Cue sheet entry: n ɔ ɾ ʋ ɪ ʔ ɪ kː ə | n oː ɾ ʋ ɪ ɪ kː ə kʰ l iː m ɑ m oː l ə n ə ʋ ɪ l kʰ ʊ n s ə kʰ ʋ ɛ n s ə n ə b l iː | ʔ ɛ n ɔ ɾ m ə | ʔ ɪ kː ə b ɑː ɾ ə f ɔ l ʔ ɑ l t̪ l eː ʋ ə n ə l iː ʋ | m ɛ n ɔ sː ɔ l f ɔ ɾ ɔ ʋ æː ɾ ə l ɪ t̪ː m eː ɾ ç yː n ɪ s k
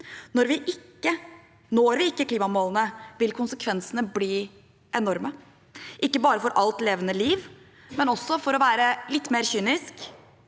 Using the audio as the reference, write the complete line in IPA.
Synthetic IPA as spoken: n ɔ ɾ ʋ ɪ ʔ ɪ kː ə | n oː ɾ ʋ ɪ ɪ kː ə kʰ l iː m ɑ m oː l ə n ə ʋ ɪ l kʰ ʊ n s ə kʰ ʋ ɛ n s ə n ə b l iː | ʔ ɛ n ɔ ɾ m ə | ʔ ɪ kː ə b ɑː ɾ ə f ɔ ɾ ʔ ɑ l t̪ l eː ʋ ə n ə l iː ʋ | m ɛ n ɔ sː ɔ f ɔ ɾ ɔ ʋ æː ɾ ə l ɪ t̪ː m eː ɾ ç yː n ɪ s k

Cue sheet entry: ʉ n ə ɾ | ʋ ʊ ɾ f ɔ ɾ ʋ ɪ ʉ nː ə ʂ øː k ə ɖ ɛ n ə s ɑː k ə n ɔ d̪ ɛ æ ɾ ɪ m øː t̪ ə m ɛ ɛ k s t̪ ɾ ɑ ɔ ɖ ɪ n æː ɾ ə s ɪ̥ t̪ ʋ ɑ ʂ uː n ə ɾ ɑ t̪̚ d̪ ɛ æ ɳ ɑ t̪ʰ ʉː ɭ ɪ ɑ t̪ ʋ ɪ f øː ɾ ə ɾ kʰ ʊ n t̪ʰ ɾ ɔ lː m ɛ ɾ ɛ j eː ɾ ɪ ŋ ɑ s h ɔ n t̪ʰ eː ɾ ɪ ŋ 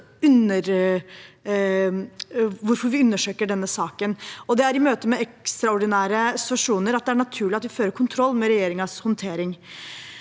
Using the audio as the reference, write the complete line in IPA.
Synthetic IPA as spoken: ʉ n ə ɾ | ʋ ʊ ɾ f ɔ ɾ ʋ ɪ ʉ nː ə ʂ øː k ə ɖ ɛ nː ə s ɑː k ə n ɔ d̪ ɛ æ ɾ ɪ m øː t̪ ə m ɛ ɛ k s t̪ ɾ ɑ ɔ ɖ ɪ n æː ɾ ə s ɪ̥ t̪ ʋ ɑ ʂ uː n ə ɾ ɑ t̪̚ d̪ ɛ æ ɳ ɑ t̪ʰ ʉː ɭ ɪ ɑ t̪ ʋ ɪ f øː ɾ ə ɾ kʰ ʊ n t̪ʰ ɾ ɔ lː m ɛ ɾ ɛ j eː ɾ ɪ ŋ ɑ s h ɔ n t̪ʰ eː ɾ ɪ ŋ

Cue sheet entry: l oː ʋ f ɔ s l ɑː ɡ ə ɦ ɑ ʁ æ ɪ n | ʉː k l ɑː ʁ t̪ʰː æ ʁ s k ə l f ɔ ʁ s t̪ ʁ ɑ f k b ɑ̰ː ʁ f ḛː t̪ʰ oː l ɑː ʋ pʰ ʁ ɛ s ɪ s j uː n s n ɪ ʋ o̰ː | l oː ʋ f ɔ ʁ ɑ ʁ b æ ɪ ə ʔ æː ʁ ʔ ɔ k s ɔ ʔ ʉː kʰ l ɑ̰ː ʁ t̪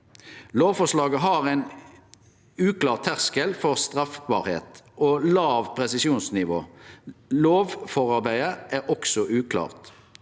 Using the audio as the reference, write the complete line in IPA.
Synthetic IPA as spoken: l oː ʋ f ɔ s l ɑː ɡ ə ɦ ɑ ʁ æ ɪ n | ʉː k l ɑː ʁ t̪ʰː æ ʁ s k ə l f ɔ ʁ s t̪ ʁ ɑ f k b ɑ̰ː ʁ h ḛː t̪ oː l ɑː ʋ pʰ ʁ ɛ s ɪ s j uː n s n ɪ ʋ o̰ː | l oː ʋ f ɔ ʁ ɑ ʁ b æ ɪ ə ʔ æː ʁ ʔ ɔ k s ɔ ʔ ʉː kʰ l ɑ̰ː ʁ t̪

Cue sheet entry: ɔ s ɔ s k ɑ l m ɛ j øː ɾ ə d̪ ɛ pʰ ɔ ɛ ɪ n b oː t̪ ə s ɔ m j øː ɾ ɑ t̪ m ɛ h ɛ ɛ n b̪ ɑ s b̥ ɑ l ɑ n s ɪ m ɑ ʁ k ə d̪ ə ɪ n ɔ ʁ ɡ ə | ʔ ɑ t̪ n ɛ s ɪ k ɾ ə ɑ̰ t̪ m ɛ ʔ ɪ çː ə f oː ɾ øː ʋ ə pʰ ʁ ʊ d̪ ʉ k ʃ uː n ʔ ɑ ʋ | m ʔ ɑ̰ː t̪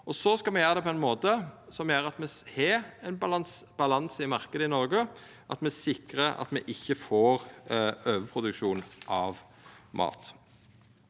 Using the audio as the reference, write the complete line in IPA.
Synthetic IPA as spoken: ɔ s ɔ s k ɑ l m ɛ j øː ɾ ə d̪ ɛ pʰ ɔ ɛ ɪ n m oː t̪ ə s ɔ m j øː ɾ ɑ t̪ m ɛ h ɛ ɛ n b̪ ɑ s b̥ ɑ l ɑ n s ɪ m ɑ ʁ k ə d̪ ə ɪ n ɔ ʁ ɡ ə | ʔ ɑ t̪ m ɛ s ɪ k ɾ ə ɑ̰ t̪ m ɛ ʔ ɪ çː ə f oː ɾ øː ʋ ə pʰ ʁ ʊ d̪ ʉ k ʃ uː n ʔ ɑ ʋ | m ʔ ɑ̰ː t̪

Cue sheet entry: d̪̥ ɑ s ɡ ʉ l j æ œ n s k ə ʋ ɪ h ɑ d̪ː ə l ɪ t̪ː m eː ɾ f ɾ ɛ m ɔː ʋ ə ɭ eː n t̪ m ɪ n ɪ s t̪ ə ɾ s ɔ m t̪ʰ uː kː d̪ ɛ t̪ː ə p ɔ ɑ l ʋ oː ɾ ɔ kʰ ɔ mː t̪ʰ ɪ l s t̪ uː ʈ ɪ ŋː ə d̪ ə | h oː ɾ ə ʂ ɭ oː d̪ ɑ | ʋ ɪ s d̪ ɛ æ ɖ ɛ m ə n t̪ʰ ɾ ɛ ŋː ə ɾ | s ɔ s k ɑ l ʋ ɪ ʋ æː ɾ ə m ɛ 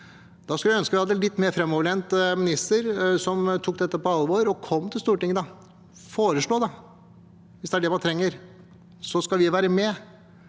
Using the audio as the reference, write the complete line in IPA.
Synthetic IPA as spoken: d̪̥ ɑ s k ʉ l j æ œ n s k ə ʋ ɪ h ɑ d̪ː ə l ɪ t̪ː m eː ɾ f ɾ ɛ m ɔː ʋ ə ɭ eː n t̪ m ɪ n ɪ s t̪ ə ɾ s ɔ m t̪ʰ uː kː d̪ ɛ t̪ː ə p ɔ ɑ l ʋ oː ɾ ɔ kʰ ɔ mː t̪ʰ ɪ l s t̪ uː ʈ ɪ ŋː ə d̪ ɑ | f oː ɾ ə ʂ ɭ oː d̪ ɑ | ʋ ɪ s d̪ ɛ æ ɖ ɛ m ɑ n t̪ʰ ɾ ɛ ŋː ə ɾ | s ɔ s k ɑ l ʋ ɪ ʋ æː ɾ ə m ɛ

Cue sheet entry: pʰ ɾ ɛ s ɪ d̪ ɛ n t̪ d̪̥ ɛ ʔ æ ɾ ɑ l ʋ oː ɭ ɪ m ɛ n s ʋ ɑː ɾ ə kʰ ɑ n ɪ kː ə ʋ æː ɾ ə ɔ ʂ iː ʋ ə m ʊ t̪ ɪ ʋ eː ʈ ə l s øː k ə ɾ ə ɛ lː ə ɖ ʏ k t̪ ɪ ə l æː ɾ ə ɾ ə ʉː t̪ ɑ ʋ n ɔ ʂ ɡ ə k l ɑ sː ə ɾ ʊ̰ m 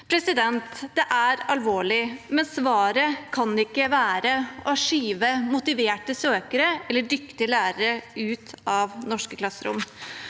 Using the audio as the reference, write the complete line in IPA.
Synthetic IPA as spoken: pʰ ɾ ɛ s ɪ d̪ ɛ n t̪ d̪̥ ɛ ʔ æ ɾ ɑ l ʋ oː ɭ ɪ m ɛ n s ʋ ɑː ɾ ə kʰ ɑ n ɪ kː ə ʋ æː ɾ ə ɔ ʂ iː ʋ ə m ʊ t̪ ɪ ʋ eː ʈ ə s øː k ə ɾ ə ɛ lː ə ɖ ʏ k t̪ ɪ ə l æː ɾ ə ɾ ə ʉː t̪ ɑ ʋ n ɔ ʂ k ə k l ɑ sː ə ɾ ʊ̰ m

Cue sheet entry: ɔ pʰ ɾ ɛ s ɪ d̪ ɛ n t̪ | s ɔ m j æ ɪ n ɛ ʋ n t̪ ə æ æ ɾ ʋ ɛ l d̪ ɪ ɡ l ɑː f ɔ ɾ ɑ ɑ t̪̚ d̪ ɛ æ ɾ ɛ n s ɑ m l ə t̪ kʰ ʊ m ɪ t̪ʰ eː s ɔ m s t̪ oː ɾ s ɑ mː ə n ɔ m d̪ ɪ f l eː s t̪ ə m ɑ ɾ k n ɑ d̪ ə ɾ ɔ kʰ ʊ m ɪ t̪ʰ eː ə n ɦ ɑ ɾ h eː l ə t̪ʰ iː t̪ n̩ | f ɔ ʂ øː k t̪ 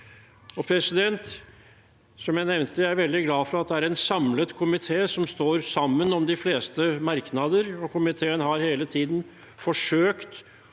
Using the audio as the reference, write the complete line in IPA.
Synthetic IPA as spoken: ɔ pʰ ɾ ɛ s ɪ d̪ ɛ n t̪ | s ɔ m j æ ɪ n ɛ ʋ n t̪ ə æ æ ɾ ʋ ɛ l d̪ ɪ ɡ l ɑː f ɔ ɾ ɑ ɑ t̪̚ d̪ ɛ æ ɾ ɛ n s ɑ m l ə t̪ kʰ ʊ m ɪ t̪ʰ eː s ɔ m s t̪ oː ɾ s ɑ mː ə n ɔ m d̪ ɪ f l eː s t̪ ə m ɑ ɾ k n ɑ d̪ ə ɾ ɔ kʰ ʊ m ɪ t̪ʰ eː ə n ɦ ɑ ɾ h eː l ə t̪ʰ iː d̪ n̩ | f ɔ ʂ øː k t̪

